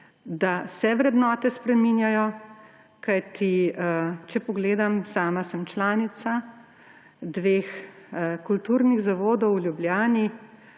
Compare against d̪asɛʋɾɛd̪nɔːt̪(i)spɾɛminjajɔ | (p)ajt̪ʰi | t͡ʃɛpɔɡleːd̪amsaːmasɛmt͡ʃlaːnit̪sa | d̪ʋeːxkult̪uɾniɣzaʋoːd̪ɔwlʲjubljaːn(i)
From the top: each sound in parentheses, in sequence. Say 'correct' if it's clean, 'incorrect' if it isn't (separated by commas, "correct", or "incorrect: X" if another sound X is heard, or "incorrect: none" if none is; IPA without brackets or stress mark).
incorrect: ɛ, incorrect: k, correct